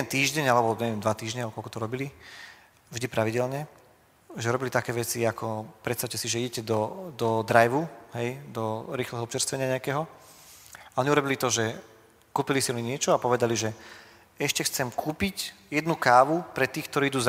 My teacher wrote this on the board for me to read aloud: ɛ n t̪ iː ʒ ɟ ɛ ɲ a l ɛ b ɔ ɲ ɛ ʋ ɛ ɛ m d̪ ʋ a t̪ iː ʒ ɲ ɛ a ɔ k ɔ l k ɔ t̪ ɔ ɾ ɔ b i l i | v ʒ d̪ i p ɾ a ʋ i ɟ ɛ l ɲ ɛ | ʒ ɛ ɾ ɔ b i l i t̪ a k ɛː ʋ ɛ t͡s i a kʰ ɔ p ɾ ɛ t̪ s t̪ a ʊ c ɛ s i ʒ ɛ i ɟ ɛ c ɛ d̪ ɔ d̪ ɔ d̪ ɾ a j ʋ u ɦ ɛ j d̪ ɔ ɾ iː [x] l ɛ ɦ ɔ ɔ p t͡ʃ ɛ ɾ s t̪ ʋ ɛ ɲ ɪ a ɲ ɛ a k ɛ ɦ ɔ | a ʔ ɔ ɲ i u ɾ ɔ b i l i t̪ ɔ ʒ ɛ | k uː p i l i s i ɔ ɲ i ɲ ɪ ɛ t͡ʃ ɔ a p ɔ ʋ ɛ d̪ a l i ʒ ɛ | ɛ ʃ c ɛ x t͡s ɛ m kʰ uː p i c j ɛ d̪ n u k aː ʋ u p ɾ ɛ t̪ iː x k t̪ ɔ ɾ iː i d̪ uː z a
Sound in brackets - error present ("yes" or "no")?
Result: no